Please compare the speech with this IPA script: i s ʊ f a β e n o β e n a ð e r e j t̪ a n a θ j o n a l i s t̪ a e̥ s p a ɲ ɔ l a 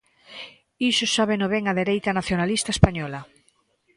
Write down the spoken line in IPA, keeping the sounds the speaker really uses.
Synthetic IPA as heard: i s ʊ s a β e n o β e ŋ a ð e ɾ e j t̪ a n a θ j o n a l i s t̪ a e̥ s p a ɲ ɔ l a